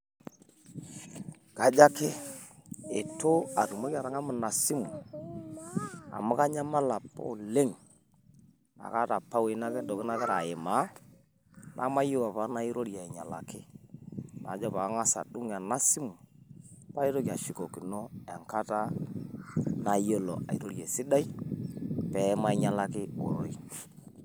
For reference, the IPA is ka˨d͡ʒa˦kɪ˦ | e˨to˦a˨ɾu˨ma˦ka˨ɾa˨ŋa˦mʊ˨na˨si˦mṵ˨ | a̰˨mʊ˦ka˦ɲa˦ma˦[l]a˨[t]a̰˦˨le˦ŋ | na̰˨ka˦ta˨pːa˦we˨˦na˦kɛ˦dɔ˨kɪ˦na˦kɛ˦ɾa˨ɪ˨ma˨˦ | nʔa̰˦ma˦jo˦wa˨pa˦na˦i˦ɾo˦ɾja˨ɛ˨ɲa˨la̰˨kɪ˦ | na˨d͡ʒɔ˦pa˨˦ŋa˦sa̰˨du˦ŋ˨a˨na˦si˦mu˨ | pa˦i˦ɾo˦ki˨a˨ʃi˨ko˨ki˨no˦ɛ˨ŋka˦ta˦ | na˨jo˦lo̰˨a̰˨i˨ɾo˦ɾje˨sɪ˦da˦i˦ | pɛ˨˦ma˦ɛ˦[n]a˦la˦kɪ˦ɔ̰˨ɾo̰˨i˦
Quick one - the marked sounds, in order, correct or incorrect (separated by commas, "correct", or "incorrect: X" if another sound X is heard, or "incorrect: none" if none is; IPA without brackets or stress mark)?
correct, incorrect: p, incorrect: ɲ